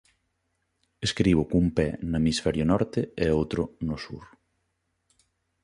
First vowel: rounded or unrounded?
unrounded